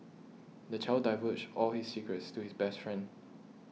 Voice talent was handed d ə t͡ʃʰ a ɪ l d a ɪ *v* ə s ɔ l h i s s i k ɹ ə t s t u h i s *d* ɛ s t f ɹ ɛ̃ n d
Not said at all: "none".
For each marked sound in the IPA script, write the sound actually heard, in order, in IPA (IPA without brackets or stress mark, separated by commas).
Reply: v, b